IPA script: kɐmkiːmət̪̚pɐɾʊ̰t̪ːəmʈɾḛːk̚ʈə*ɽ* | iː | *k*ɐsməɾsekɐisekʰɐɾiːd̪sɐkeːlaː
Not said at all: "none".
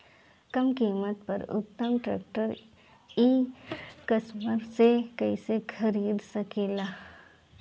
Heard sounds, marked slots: ɾ, k

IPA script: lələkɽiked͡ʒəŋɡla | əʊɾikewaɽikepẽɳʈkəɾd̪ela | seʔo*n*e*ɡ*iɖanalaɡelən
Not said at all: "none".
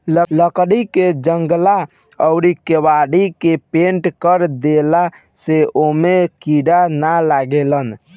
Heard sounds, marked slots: m, k

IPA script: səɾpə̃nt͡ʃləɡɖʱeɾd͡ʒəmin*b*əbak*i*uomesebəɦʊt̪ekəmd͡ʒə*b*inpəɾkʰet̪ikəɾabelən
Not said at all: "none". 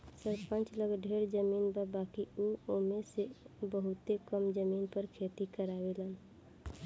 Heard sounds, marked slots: b, i, m

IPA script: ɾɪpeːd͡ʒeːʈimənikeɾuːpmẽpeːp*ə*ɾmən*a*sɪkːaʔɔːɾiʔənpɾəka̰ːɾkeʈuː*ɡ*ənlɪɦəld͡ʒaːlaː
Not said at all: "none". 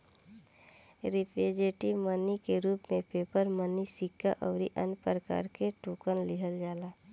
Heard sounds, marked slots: ə, i, k

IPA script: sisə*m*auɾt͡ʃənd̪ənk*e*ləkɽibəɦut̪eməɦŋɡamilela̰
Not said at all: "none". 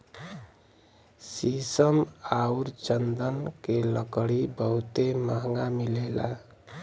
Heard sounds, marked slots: m, e

